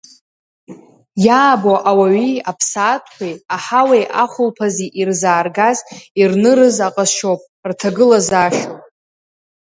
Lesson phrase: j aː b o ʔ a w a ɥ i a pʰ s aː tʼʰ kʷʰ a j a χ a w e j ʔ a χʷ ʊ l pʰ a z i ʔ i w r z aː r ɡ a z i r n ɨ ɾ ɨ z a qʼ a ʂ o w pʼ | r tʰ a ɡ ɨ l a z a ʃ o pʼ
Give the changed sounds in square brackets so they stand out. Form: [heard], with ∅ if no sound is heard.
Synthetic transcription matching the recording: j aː b o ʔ a w a ɥ i a pʰ s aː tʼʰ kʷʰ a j a [ħ] a w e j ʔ a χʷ ʊ l pʰ a z i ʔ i [∅] r z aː r ɡ a z i r n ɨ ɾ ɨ z a qʼ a [ʃ] o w pʼ | r tʰ a ɡ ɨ l a z a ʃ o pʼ